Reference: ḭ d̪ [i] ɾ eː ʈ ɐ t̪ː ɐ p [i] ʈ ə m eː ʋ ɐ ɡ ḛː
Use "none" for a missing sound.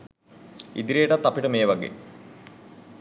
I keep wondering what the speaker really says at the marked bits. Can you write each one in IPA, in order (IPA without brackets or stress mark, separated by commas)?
i, i